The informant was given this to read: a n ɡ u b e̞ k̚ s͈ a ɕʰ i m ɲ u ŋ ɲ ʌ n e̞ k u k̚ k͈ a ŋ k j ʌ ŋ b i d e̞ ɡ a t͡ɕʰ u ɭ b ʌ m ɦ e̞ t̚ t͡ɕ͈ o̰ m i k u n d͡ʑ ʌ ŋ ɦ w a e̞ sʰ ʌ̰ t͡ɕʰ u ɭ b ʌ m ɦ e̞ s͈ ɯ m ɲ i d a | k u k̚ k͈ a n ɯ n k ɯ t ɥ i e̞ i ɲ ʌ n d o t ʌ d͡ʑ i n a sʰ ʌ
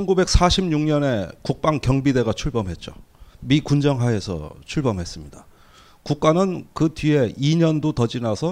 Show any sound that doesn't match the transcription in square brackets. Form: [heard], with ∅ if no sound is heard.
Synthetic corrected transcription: [ʌ] n ɡ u b e̞ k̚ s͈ a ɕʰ i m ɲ u ŋ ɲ ʌ n e̞ k u k̚ [p͈] a ŋ k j ʌ ŋ b i d e̞ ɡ a t͡ɕʰ u ɭ b ʌ m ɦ e̞ t̚ t͡ɕ͈ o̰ m i k u n d͡ʑ ʌ ŋ ɦ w a e̞ sʰ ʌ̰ t͡ɕʰ u ɭ b ʌ m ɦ e̞ s͈ ɯ m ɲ i d a | k u k̚ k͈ a n ɯ n k ɯ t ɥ i e̞ i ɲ ʌ n d o t ʌ d͡ʑ i n a sʰ ʌ